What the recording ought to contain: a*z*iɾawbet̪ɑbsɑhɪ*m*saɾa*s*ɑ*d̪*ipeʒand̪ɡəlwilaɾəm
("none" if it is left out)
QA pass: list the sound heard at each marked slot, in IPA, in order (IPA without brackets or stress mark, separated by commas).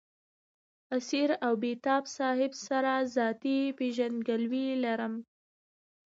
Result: s, b, z, t̪